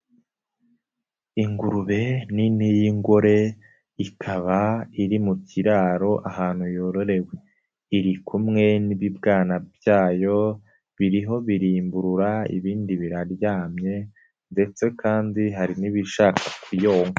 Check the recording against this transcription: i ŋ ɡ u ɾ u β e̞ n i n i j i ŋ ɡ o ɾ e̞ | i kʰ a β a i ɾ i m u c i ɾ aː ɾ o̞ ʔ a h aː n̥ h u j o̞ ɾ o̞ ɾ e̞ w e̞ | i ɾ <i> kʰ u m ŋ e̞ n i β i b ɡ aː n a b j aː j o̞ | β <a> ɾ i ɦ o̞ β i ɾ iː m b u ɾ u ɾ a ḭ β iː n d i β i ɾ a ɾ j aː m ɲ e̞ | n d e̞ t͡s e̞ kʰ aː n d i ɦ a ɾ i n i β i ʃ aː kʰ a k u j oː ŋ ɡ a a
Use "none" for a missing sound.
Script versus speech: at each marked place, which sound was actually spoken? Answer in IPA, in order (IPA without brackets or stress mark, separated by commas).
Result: i, i